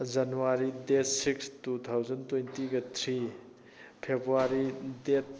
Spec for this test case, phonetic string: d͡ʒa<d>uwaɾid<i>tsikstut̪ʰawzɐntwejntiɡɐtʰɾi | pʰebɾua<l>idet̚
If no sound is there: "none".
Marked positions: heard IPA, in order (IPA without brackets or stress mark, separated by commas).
n, e, ɾ